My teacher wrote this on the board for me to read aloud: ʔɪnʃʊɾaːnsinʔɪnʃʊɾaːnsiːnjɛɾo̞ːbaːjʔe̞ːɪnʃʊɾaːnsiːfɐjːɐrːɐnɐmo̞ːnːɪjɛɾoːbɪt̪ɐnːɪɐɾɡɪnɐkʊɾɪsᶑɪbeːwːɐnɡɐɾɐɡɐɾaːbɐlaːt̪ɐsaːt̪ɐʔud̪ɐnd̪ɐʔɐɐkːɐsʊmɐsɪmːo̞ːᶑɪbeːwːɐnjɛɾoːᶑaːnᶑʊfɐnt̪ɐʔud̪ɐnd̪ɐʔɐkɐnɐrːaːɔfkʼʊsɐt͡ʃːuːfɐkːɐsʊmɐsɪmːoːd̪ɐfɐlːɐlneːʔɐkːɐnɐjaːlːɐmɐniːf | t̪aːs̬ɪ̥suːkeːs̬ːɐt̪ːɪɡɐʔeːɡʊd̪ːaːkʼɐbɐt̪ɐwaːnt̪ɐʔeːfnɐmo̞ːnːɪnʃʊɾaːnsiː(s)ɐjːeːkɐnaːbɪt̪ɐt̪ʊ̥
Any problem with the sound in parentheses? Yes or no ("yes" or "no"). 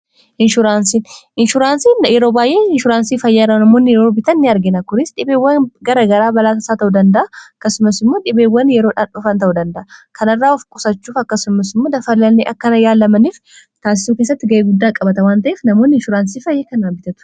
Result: yes